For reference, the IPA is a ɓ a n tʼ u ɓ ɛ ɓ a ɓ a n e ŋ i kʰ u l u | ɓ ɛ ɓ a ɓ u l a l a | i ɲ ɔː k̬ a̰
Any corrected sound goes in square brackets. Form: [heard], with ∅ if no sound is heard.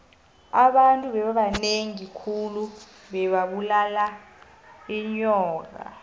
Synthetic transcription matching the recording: a ɓ a n tʼ u ɓ ɛ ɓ a ɓ a n e ŋ i kʰ u l u | ɓ ɛ ɓ a ɓ u l a l a | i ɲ ɔː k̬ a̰

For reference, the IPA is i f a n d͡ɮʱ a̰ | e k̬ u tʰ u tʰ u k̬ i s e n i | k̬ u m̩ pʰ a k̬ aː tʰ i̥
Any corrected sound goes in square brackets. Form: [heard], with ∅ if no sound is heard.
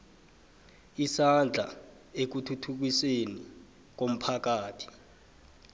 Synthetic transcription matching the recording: i [s] a n d͡ɮʱ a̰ | e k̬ u tʰ u tʰ u k̬ i s e n i | k̬ [o] m̩ pʰ a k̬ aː tʰ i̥

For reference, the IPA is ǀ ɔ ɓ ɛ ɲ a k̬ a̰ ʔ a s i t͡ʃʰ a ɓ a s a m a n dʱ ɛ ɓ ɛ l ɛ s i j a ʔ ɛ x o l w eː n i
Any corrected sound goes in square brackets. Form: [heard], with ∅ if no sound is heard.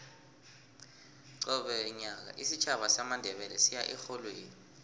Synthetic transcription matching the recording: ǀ ɔ ɓ ɛ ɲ a k̬ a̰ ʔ [i] s i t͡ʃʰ a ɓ a s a m a n dʱ ɛ ɓ ɛ l ɛ s i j a ʔ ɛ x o l w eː n i

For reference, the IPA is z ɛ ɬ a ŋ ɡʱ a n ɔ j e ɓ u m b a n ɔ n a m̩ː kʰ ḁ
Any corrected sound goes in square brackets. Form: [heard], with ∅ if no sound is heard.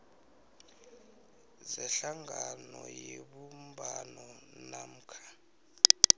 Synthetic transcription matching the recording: z ɛ ɬ a ŋ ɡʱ a n ɔ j e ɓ u m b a n ɔ n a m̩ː kʰ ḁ

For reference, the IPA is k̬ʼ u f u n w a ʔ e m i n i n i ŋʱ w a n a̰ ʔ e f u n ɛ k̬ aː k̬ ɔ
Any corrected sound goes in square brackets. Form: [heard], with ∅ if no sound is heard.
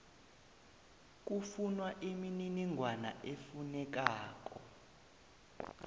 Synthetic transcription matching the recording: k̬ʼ u f u n w a ʔ [i] m i n i n i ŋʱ w a n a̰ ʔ e f u n ɛ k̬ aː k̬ ɔ

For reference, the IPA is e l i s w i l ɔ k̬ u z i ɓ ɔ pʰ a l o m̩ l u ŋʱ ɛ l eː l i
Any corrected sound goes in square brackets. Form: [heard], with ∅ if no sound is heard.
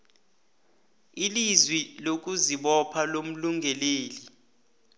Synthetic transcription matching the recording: [i] l i [z] w i l [o] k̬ u z i ɓ ɔ pʰ a l o m̩ l u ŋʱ ɛ l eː l i

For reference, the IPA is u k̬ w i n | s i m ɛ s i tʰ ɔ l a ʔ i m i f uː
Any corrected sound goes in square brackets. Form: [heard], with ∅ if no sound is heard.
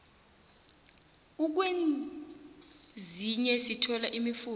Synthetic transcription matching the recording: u k̬ w [e] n | [z] i [ɲ] ɛ s i tʰ ɔ l a ʔ i m i f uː

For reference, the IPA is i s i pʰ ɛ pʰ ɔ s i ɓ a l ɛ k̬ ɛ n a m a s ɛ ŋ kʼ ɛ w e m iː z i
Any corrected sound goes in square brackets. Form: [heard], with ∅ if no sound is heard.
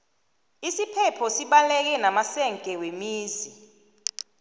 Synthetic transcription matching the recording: i s i pʰ ɛ pʰ ɔ s i ɓ a l ɛ k̬ ɛ n a m a s ɛ ŋ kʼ ɛ w e m iː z i

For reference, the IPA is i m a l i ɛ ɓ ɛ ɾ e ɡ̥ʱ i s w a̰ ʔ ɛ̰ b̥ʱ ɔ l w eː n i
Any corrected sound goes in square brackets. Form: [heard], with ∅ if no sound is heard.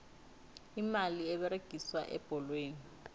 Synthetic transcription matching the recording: i m a l i ɛ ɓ ɛ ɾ e ɡ̥ʱ i s w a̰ ʔ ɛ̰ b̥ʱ ɔ l w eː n i

